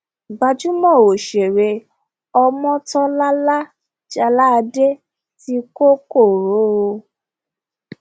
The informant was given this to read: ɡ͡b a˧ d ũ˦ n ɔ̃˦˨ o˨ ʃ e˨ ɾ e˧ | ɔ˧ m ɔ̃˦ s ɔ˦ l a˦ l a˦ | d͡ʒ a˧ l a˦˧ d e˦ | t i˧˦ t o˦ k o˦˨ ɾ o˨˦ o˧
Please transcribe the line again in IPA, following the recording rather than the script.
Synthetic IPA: ɡ͡b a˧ d͡ʒ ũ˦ m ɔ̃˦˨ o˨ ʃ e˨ ɾ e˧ | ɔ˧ m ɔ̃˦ t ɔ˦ l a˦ l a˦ | d͡ʒ a˧ l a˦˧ d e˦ | t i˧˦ k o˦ k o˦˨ ɾ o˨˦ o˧